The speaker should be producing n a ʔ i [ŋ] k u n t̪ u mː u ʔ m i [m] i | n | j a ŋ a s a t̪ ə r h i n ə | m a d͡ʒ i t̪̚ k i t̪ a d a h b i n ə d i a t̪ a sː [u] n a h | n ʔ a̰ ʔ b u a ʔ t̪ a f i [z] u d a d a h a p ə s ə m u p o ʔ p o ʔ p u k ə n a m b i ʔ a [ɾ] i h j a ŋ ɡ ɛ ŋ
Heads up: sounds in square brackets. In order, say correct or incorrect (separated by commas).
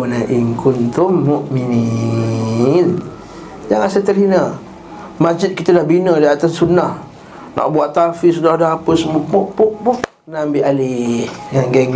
correct, incorrect, correct, incorrect, incorrect